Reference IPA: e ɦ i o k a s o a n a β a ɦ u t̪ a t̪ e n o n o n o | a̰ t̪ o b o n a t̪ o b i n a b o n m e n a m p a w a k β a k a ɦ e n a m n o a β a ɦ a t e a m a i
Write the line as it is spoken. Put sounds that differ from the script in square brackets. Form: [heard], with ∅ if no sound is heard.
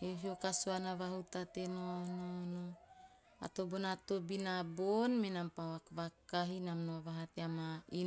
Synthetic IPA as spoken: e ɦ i o k a s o a n a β a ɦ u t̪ a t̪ e n o n o n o | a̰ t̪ o b o n a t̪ o b i n a b o n m e n a m p a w a k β a k a ɦ [i] n a m n o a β a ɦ a t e a m a i